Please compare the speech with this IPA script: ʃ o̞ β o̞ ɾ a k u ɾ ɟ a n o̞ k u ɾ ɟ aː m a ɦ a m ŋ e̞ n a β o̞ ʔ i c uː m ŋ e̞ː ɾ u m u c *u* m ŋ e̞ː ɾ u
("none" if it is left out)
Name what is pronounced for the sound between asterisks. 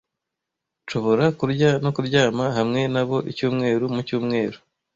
uː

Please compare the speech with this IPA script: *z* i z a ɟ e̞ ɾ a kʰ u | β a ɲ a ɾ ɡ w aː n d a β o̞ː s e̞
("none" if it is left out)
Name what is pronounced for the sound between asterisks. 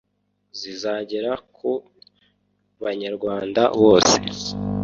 z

